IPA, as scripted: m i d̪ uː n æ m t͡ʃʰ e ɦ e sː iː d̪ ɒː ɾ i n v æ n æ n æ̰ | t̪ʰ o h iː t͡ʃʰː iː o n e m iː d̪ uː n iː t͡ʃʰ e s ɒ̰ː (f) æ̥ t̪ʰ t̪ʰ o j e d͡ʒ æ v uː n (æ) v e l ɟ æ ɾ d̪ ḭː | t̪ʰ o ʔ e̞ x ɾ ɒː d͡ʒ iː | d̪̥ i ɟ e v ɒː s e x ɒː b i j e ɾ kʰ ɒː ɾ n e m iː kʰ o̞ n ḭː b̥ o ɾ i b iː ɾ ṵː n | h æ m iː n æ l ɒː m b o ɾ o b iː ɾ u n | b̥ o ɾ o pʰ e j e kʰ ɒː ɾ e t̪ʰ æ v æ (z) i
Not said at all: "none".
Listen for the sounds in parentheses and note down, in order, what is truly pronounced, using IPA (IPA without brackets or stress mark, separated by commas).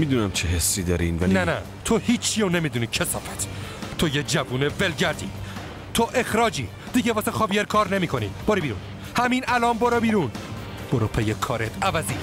f, e, z